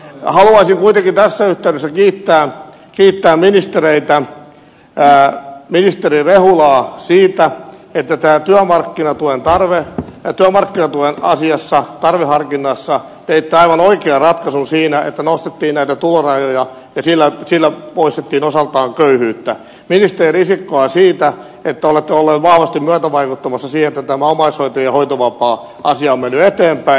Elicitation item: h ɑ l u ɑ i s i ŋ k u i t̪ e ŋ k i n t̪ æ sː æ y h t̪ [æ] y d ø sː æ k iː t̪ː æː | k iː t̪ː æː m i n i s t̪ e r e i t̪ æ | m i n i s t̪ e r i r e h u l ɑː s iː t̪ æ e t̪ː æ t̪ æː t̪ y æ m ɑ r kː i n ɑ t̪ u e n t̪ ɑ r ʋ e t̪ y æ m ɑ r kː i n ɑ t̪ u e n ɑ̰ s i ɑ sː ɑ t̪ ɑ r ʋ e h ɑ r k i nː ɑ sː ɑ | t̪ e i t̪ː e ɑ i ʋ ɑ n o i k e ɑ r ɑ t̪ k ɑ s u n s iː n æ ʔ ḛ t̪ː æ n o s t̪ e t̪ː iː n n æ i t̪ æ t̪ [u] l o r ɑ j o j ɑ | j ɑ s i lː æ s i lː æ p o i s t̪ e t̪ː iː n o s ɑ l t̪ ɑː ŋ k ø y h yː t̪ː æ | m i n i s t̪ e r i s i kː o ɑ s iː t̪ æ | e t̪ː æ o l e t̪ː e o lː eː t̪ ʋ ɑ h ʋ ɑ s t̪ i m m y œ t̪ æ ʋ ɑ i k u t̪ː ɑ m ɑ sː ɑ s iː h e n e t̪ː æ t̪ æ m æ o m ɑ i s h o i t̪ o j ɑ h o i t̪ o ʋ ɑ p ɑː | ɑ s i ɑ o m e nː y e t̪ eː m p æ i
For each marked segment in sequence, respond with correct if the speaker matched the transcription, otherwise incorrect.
correct, correct

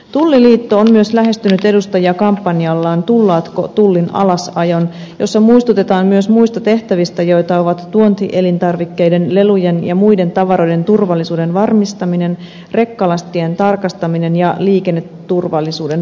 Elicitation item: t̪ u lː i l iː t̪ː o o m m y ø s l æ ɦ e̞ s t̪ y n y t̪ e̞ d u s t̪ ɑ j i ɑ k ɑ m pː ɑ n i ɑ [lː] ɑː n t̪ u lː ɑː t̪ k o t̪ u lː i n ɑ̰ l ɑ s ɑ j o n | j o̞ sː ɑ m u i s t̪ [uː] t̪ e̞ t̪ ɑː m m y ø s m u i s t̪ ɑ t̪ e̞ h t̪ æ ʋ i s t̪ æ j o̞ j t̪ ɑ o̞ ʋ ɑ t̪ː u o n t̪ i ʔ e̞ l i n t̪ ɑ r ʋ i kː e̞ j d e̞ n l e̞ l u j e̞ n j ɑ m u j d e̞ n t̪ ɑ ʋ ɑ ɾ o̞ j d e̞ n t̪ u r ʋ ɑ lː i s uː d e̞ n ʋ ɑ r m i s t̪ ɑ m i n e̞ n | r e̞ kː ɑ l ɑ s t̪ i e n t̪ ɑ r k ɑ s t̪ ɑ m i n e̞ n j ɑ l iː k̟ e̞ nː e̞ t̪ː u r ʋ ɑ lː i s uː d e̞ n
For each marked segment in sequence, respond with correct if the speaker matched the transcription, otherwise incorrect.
correct, incorrect: u

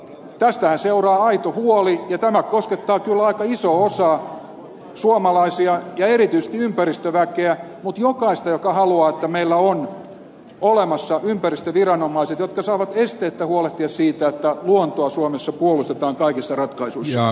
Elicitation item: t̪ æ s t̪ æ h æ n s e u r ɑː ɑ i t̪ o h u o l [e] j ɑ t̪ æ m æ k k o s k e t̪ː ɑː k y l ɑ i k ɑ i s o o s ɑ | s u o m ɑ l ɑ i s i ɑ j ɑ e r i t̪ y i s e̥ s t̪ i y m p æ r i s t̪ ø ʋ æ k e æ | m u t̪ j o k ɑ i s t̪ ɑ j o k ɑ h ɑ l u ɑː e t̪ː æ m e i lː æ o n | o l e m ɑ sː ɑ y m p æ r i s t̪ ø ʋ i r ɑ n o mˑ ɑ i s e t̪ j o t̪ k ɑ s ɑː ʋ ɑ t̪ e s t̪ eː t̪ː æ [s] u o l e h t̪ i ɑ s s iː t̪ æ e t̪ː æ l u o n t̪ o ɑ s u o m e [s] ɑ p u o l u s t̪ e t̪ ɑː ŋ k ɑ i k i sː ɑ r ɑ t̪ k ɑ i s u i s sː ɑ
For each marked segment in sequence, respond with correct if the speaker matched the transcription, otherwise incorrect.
incorrect: i, incorrect: h, incorrect: sː

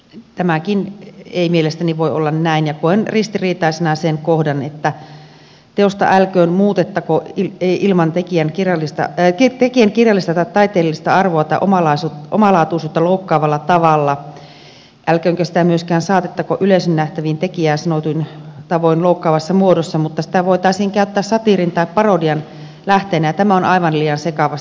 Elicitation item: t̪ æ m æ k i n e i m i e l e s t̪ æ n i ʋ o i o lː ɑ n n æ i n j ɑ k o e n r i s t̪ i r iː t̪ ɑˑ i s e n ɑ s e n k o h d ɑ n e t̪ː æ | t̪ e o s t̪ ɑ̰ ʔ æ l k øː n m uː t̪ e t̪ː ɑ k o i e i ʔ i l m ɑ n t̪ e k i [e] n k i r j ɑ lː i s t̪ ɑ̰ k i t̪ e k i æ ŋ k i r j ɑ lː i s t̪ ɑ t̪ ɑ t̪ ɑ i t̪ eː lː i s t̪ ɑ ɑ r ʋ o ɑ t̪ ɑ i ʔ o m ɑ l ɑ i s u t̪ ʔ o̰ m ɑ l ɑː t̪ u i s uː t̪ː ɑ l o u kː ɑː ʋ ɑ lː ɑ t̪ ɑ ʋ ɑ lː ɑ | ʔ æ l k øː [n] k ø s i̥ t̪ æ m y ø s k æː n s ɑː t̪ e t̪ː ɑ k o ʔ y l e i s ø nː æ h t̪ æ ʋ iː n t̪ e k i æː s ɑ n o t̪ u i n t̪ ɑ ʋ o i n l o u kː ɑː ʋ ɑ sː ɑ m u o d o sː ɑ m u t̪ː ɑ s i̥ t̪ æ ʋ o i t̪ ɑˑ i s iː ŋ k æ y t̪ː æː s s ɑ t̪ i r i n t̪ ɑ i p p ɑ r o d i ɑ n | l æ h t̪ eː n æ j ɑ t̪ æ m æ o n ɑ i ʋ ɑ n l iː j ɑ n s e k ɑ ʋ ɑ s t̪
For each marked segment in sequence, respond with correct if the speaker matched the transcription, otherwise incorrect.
incorrect: æ, incorrect: ŋ

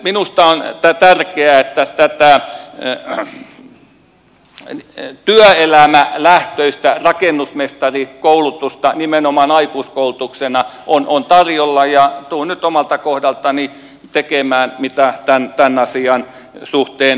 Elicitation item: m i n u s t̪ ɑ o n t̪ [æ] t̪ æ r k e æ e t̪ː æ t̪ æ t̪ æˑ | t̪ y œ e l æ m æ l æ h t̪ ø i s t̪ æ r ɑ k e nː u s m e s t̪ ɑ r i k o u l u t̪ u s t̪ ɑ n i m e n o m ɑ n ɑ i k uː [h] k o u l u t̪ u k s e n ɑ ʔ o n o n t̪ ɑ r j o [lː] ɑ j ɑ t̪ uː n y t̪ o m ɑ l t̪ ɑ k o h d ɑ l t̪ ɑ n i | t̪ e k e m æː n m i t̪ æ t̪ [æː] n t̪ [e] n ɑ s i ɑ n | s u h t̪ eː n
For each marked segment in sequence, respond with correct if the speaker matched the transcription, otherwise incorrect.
correct, incorrect: s, correct, incorrect: æ, incorrect: æ

